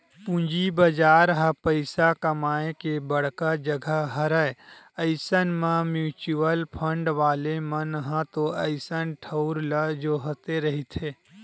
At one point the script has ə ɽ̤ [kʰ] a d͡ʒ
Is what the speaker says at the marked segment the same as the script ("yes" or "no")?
no